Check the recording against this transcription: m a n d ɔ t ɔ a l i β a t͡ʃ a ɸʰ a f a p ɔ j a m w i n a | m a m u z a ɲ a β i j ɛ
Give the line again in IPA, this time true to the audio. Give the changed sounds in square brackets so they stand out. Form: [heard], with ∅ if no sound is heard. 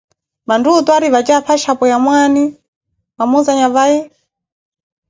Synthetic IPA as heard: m a n d [u] t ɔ a [ɾ] i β a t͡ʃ a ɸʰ a [ʃ] a p ɔ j a m w [a] n [i] | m a m u z a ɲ a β [a] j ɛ